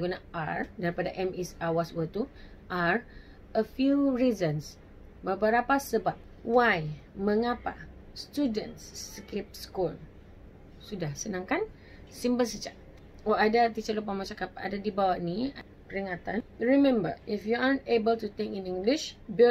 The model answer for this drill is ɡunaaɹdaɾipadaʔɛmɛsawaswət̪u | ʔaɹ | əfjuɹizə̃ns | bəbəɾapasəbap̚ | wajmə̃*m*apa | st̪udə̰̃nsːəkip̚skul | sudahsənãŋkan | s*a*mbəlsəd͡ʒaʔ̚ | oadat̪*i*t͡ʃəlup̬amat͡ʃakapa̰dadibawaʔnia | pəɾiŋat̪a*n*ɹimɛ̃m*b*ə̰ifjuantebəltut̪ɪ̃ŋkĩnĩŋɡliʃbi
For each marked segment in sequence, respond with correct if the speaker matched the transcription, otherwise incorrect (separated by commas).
incorrect, incorrect, correct, correct, correct